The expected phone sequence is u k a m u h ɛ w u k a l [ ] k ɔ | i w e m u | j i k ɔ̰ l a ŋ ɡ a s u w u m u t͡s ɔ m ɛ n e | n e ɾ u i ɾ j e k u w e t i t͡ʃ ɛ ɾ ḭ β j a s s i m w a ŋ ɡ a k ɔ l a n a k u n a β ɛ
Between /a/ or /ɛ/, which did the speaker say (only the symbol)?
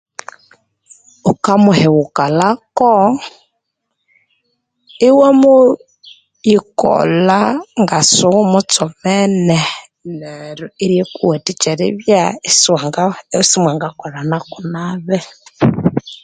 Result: a